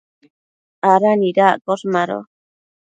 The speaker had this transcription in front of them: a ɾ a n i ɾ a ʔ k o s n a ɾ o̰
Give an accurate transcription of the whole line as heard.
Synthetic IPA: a ɾ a n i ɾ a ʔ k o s m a ɾ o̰